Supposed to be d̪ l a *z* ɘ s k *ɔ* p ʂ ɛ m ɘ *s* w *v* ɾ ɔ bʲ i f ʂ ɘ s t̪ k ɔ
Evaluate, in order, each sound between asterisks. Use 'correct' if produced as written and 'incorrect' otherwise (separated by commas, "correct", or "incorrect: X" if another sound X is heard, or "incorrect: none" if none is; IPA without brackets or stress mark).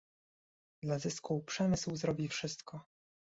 correct, incorrect: u, correct, incorrect: z